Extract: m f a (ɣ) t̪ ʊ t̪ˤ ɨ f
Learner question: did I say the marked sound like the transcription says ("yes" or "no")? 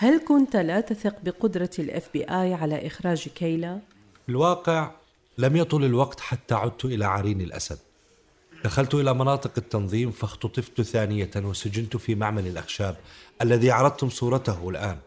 no